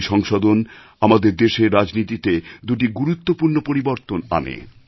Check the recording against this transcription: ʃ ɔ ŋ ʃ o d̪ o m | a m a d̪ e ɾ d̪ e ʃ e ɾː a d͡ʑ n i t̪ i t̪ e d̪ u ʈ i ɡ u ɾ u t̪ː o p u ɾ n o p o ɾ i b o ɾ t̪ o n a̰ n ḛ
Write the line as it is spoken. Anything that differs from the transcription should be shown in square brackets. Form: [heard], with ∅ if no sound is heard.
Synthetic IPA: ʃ ɔ ŋ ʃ o d̪ o [n] | a m a d̪ e ɾ d̪ e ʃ e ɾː a d͡ʑ n i t̪ i t̪ e d̪ u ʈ i ɡ u ɾ u t̪ː o p u ɾ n o p o ɾ i b o ɾ t̪ o n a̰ n ḛ